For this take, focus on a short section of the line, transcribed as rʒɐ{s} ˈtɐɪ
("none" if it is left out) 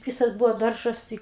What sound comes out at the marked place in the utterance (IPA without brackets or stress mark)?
s